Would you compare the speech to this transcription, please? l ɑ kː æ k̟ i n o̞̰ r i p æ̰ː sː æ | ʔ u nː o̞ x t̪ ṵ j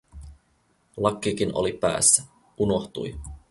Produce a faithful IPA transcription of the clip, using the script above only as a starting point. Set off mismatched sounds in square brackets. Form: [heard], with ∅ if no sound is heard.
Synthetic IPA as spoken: l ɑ kː [i] k̟ i n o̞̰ [l] i p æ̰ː sː æ | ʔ u [n] o̞ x t̪ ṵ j